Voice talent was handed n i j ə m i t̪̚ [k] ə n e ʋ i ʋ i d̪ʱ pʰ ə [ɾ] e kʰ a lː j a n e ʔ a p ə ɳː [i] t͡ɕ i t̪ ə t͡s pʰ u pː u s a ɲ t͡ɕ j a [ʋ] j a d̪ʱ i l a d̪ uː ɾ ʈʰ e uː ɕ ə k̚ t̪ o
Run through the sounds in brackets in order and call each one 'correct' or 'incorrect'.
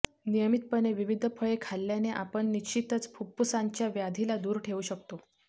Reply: incorrect: p, incorrect: ɭ, correct, correct

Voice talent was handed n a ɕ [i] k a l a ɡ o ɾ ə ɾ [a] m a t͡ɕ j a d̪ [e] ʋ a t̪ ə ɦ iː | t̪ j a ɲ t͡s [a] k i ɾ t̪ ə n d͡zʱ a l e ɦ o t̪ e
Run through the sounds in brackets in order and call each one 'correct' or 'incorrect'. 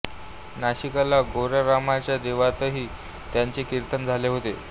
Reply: correct, correct, correct, incorrect: e

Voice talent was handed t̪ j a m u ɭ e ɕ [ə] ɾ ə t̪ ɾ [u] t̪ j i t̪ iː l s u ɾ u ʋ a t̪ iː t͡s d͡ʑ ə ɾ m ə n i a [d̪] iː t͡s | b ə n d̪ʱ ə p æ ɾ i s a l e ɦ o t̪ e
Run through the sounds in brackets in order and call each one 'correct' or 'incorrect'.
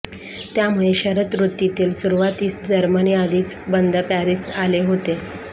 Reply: correct, correct, correct

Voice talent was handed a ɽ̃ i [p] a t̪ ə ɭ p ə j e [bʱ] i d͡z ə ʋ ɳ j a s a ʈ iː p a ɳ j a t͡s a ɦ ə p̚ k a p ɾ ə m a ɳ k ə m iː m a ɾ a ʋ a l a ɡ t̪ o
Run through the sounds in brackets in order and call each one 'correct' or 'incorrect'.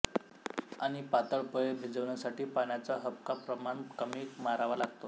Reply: correct, correct

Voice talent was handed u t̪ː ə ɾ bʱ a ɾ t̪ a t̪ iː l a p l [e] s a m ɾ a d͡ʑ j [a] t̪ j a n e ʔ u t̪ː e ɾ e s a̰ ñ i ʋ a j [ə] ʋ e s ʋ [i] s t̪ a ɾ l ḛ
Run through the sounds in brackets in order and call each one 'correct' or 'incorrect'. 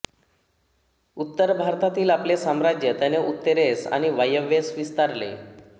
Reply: correct, incorrect: ə, correct, correct

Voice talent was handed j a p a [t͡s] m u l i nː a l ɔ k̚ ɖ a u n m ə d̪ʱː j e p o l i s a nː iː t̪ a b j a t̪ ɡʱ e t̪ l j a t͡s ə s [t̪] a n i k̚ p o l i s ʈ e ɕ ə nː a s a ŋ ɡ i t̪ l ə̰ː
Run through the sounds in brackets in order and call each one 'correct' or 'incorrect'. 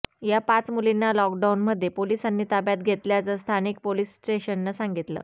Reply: correct, incorrect: t̪ʰ

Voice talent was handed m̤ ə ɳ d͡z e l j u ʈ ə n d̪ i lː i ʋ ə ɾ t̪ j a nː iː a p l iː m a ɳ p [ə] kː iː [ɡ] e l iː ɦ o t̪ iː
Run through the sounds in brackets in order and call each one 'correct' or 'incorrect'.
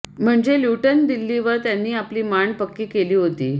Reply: correct, incorrect: k

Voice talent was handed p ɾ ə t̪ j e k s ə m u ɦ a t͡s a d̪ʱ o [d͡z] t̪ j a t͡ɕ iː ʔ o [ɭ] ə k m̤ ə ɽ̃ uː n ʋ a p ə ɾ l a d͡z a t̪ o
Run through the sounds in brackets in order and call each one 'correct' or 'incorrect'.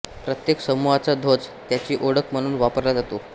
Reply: correct, incorrect: ɽ

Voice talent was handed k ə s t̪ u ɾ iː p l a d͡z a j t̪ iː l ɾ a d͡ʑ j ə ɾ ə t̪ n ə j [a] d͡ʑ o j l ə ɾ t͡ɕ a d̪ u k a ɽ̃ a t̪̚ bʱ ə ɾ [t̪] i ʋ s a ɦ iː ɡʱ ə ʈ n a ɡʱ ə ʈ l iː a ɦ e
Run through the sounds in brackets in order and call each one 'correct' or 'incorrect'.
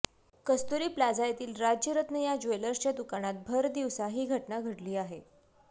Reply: correct, incorrect: d̪

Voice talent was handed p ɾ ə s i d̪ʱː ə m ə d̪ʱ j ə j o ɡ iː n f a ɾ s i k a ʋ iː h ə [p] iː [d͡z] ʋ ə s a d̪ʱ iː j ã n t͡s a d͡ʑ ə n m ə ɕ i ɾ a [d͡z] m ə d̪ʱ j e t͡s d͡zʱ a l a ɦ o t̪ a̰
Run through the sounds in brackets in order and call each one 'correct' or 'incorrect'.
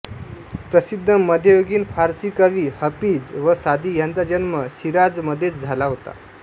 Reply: correct, correct, correct

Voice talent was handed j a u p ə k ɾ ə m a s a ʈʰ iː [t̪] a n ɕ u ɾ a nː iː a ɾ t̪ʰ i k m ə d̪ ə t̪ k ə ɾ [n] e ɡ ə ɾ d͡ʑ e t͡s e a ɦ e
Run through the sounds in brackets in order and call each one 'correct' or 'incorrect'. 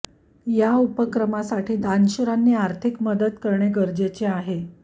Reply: incorrect: d̪, incorrect: ɳ

